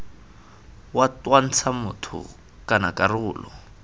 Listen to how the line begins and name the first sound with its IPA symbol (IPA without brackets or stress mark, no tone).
w